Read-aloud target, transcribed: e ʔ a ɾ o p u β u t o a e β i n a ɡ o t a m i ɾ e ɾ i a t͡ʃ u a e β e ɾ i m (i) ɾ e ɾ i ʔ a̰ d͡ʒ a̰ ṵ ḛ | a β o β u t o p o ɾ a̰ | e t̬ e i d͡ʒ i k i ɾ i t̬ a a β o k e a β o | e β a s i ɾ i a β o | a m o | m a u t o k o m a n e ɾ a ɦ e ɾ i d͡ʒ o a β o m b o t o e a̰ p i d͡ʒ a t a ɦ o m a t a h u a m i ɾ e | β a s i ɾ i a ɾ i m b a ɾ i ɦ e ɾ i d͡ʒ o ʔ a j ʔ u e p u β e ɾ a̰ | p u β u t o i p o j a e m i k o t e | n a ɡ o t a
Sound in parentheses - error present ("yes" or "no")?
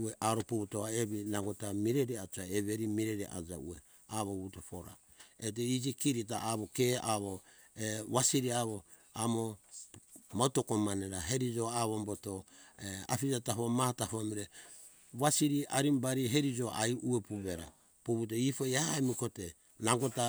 no